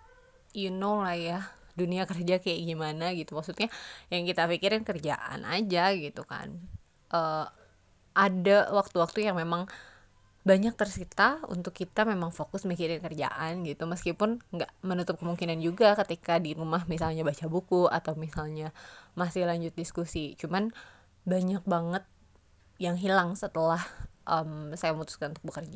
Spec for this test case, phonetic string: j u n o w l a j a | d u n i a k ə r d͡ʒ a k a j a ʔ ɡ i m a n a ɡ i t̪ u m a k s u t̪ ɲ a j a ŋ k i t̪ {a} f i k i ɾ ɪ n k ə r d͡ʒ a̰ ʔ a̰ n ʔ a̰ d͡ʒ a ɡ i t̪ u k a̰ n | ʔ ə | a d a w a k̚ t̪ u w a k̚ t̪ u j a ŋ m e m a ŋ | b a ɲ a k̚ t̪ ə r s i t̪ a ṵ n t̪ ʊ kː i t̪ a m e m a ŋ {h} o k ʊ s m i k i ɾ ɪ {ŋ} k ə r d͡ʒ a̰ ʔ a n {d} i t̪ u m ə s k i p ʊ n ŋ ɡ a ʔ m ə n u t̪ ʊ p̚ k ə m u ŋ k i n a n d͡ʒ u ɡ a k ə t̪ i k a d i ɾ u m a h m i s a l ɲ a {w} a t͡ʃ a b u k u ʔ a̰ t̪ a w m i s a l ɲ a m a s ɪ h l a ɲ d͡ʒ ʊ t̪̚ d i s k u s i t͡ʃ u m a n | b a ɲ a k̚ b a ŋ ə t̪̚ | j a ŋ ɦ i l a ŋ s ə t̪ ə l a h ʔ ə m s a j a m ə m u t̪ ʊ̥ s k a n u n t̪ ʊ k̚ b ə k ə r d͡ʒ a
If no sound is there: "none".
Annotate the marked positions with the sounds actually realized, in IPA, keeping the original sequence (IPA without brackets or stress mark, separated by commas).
a, f, n, ɡ, b